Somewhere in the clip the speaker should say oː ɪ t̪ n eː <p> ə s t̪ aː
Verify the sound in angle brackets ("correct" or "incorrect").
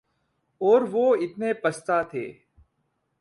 correct